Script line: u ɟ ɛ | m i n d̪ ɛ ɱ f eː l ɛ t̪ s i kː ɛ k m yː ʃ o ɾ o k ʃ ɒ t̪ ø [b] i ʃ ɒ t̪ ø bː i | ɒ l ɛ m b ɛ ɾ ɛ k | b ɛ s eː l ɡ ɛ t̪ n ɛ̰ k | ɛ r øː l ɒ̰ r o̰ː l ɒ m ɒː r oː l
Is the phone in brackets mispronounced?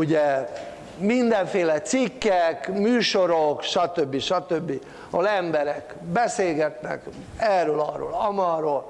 yes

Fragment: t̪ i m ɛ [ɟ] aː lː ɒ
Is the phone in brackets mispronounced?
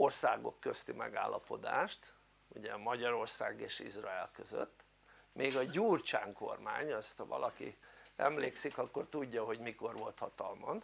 yes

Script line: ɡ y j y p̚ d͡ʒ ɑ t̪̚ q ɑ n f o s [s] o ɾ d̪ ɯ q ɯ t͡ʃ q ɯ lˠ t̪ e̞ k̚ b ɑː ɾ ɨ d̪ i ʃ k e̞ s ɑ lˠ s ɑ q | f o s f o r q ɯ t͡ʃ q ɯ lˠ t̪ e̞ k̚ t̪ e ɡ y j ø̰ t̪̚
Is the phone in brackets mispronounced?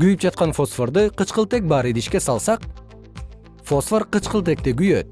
yes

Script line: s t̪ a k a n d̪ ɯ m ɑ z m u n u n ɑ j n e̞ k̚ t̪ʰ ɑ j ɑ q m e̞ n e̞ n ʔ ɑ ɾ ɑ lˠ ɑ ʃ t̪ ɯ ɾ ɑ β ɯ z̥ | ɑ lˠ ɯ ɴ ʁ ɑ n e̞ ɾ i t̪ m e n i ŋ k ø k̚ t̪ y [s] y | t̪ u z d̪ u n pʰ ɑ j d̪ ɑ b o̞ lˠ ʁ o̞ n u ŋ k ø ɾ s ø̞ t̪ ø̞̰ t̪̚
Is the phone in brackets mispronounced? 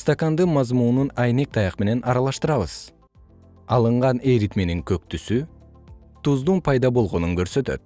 no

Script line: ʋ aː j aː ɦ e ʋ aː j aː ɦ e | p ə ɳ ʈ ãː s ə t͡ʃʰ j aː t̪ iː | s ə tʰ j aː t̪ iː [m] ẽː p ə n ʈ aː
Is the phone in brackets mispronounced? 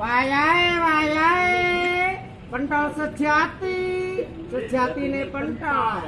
yes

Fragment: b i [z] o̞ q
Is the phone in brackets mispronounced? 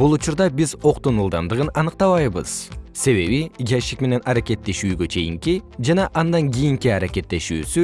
no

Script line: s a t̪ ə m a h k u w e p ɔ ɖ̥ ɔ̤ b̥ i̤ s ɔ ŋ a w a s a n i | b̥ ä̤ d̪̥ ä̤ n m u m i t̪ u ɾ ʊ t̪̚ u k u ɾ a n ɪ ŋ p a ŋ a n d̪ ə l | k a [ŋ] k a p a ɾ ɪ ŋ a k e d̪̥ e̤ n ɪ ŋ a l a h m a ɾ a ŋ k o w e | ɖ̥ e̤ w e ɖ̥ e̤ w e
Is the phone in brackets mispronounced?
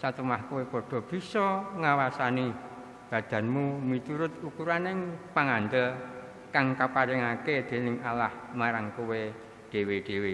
no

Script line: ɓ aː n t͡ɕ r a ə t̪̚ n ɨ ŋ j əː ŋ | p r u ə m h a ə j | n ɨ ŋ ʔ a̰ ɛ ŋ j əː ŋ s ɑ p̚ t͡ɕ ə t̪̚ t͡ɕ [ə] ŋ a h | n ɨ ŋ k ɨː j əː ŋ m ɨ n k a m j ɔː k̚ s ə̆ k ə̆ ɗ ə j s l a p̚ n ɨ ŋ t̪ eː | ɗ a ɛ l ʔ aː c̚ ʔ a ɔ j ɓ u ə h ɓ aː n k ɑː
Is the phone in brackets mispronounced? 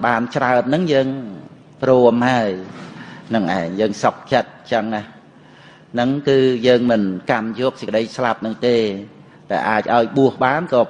no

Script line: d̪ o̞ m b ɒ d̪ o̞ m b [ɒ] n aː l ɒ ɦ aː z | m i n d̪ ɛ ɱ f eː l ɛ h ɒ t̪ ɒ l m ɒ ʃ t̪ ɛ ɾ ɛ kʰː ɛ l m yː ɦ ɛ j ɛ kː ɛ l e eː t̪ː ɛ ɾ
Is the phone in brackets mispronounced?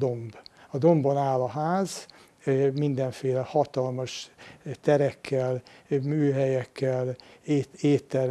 yes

